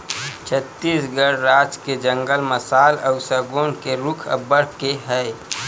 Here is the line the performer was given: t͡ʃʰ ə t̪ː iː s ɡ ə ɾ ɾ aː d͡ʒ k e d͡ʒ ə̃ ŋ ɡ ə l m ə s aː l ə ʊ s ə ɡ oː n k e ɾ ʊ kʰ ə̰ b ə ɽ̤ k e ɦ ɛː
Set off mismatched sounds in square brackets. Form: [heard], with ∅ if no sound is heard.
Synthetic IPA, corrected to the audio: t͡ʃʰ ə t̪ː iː s ɡ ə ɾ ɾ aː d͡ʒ k e d͡ʒ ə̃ ŋ ɡ ə l m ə s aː l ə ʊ s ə ɡ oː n k e ɾ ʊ kʰ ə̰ b ə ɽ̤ k e ɦ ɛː